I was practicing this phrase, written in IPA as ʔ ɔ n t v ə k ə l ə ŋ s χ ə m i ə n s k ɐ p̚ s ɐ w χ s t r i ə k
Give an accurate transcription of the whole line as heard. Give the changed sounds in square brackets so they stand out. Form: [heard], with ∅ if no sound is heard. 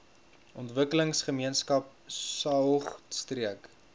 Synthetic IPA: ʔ ɔ n t v ə k ə l ə ŋ s χ ə m i ə n s k ɐ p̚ s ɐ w χ s t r i ə k